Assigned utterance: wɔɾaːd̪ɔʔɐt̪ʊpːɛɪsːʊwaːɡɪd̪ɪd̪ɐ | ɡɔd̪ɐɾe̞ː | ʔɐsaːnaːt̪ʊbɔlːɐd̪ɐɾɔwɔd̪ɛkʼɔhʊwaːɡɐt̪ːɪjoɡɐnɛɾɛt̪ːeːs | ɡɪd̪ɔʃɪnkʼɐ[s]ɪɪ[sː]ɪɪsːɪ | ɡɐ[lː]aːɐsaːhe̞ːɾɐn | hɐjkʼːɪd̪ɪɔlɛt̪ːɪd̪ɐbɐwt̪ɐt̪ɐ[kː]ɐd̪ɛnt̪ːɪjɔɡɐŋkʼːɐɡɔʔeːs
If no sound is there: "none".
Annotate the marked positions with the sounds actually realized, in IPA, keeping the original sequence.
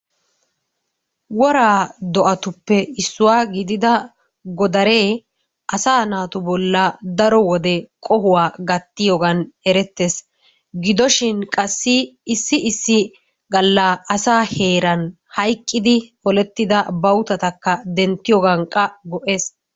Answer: sː, sː, lː, kː

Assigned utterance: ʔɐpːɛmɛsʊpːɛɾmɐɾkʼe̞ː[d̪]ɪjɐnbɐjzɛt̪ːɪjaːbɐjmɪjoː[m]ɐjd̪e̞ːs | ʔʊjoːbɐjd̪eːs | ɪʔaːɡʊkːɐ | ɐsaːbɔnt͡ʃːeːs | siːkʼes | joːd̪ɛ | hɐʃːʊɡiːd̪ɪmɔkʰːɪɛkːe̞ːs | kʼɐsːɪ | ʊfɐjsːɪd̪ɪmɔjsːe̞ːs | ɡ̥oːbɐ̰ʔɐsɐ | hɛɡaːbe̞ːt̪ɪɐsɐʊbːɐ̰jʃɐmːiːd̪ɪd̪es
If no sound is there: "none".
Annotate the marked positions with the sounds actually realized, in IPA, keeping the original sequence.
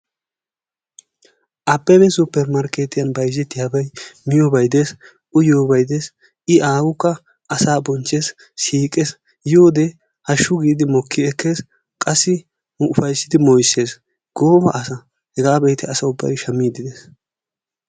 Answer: t̪, b

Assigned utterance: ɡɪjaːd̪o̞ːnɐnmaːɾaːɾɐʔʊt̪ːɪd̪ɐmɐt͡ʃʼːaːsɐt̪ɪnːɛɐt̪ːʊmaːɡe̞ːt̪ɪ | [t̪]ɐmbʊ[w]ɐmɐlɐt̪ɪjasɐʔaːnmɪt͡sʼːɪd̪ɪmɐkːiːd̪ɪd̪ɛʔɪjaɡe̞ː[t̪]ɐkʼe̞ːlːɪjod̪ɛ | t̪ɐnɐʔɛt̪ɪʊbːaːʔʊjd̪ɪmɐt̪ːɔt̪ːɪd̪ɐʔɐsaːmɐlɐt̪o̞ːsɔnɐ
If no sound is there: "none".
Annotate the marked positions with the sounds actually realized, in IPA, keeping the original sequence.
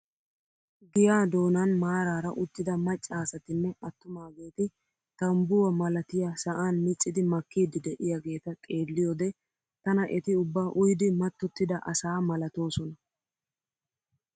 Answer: t̪, w, t̪

